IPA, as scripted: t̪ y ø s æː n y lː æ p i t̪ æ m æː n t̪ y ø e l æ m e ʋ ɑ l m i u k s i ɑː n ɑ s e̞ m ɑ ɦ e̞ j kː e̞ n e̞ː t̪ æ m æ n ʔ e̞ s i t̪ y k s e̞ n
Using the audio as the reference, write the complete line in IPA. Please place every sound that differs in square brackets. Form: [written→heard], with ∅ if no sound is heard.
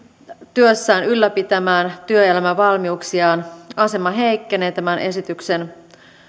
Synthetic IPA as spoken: t̪ y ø [s→sː] æː n y lː æ p i t̪ æ m æː n t̪ y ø e l æ m [e→æ] ʋ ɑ l m i u k s i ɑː n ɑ s e̞ m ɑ ɦ e̞ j kː e̞ n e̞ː t̪ æ m æ n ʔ e̞ s i t̪ y k s e̞ n